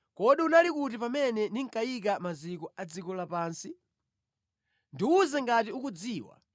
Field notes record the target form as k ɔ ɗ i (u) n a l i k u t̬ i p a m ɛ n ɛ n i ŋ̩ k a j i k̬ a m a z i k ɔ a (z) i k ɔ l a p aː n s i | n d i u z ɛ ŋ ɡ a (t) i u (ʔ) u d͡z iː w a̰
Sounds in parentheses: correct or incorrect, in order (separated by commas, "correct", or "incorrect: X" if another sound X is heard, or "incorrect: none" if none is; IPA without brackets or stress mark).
correct, incorrect: d͡z, correct, incorrect: k